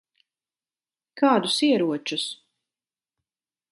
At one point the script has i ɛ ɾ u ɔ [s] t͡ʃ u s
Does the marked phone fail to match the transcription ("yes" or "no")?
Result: yes